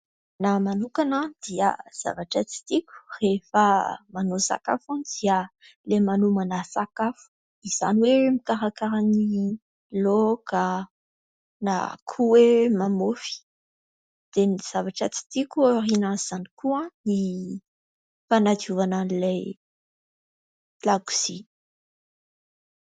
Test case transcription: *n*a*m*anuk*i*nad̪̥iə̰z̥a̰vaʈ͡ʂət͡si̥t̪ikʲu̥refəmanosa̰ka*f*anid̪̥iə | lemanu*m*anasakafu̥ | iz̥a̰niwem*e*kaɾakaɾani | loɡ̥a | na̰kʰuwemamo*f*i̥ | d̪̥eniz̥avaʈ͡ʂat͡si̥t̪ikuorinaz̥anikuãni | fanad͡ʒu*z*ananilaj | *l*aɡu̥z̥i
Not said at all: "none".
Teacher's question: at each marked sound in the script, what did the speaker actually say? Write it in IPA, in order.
n, m, a, f, m, i, f, v, l

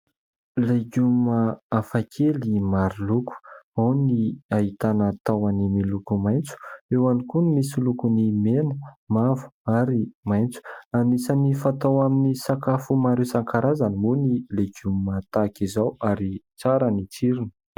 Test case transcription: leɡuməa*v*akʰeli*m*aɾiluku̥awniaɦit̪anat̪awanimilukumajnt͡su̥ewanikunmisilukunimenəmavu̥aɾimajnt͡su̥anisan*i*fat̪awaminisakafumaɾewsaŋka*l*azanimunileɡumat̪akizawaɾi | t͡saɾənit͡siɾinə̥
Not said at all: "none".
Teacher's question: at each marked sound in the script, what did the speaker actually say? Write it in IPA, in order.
f, m, i, ɾ

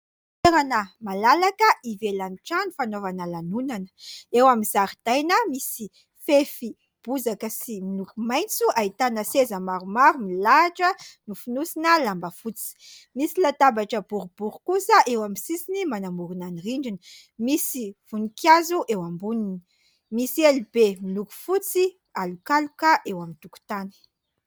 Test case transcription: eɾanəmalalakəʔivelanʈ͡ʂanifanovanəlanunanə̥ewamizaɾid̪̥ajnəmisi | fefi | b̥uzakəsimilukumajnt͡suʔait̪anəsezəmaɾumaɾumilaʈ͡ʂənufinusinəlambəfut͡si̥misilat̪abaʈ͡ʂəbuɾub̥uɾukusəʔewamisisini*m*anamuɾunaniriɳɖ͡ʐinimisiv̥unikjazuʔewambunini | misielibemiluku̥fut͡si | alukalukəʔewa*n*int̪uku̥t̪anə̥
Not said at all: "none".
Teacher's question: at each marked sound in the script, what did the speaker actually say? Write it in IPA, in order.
m, m

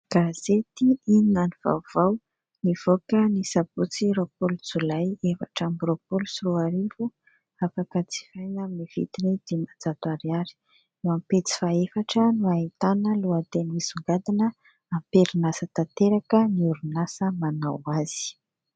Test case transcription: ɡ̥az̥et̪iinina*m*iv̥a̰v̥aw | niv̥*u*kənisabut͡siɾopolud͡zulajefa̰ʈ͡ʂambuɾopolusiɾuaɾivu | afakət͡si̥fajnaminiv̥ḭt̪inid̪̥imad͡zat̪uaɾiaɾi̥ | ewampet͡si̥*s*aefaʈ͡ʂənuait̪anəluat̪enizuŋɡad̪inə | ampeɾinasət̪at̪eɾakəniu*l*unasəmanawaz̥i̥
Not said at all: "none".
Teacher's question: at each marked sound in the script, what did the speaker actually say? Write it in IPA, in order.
n, o, f, ɾ

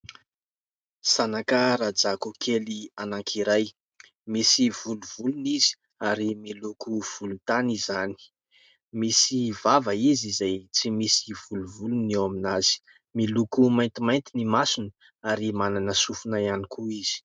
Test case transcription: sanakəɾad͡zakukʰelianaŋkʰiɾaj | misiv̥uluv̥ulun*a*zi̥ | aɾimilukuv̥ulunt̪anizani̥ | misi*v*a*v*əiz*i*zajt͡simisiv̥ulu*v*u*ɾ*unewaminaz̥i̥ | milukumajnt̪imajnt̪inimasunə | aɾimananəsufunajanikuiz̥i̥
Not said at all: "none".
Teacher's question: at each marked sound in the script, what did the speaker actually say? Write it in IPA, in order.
i, v, v, i, v, l

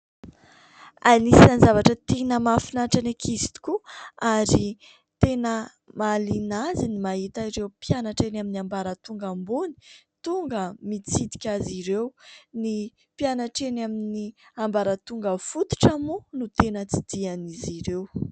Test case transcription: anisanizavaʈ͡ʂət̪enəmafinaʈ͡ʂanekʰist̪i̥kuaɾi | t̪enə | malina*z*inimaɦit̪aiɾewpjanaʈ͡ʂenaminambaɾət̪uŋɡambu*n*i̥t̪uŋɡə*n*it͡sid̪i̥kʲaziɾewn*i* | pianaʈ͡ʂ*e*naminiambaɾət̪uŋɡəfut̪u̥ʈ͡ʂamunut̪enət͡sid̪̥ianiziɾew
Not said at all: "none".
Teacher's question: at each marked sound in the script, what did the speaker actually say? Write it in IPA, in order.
z, n, m, i, e

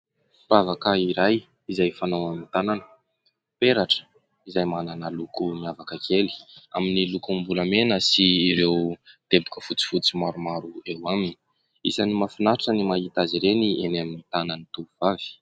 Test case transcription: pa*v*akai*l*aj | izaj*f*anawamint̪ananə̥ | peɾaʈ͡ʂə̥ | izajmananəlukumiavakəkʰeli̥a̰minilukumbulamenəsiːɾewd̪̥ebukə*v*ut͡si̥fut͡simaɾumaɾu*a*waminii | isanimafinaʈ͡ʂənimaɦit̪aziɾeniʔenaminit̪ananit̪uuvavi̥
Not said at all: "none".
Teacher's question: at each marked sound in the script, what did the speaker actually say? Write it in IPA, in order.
v, ɾ, f, f, e

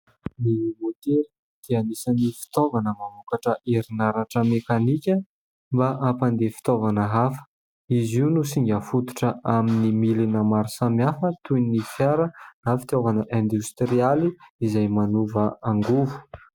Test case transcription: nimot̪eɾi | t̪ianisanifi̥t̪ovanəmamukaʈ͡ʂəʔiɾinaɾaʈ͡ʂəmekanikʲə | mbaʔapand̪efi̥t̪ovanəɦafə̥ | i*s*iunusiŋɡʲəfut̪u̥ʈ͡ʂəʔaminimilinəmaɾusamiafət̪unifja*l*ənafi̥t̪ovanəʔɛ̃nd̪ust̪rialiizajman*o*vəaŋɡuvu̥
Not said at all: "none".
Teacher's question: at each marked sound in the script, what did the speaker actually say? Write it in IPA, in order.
z, ɾ, u

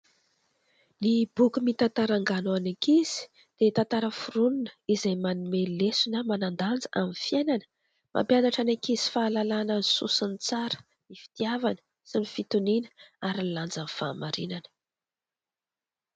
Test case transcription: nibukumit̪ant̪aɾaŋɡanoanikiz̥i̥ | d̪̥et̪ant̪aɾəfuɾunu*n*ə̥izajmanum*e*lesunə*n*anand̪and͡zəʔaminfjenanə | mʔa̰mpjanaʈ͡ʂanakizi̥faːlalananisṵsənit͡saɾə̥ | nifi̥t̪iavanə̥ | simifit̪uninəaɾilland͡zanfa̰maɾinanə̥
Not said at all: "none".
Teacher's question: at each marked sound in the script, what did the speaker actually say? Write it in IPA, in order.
n, e, m

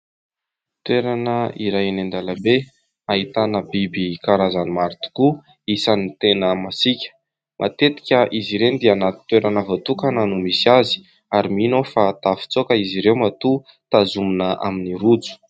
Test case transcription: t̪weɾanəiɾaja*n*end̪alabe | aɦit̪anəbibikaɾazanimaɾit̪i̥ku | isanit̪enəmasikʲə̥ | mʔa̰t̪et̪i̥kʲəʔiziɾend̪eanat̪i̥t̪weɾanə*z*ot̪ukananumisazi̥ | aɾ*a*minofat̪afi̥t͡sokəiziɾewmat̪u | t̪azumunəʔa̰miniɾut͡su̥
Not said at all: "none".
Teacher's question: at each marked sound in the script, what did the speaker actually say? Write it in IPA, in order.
n, v, i

